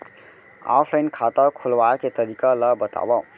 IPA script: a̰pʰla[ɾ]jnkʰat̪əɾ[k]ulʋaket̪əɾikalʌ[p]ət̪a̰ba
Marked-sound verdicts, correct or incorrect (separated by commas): incorrect, incorrect, incorrect